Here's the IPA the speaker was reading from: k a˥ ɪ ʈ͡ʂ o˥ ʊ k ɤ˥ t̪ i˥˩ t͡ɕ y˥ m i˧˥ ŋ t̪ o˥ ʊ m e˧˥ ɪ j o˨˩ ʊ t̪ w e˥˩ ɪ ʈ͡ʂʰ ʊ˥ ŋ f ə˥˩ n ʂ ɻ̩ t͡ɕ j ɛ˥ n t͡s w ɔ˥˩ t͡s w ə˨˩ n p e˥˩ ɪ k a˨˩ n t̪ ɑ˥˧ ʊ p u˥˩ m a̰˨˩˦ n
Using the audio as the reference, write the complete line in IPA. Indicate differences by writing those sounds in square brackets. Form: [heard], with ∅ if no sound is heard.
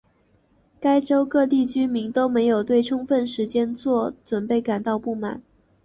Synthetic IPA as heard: k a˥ ɪ ʈ͡ʂ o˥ ʊ k [ɤ˥˧] t̪ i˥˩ t͡ɕ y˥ m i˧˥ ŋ t̪ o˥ ʊ m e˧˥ ɪ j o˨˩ ʊ t̪ w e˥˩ ɪ ʈ͡ʂʰ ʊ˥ ŋ f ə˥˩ n ʂ ɻ̩ t͡ɕ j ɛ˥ n t͡s w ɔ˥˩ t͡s w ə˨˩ n p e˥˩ ɪ k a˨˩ n t̪ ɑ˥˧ ʊ p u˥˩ m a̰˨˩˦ n